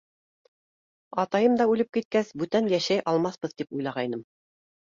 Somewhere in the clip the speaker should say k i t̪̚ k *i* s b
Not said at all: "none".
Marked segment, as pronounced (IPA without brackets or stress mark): æ